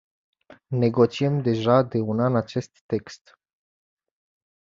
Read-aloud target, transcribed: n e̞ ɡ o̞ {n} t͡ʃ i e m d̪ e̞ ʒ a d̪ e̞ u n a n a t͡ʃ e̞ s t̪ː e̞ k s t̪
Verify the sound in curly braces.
incorrect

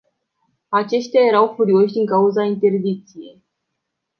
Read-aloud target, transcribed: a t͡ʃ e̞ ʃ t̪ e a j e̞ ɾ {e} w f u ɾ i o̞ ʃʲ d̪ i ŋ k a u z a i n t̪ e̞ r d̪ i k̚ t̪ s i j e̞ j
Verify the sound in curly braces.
incorrect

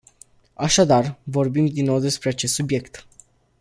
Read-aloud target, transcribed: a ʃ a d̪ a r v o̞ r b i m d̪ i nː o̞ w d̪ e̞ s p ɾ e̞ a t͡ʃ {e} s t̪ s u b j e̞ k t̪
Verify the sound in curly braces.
correct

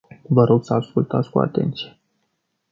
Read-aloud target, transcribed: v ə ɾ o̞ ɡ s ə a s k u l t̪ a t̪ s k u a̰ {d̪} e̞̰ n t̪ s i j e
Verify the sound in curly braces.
incorrect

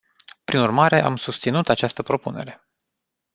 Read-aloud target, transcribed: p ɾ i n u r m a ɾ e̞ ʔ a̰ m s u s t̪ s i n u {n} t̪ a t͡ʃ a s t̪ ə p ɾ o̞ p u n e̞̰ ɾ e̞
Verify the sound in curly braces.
incorrect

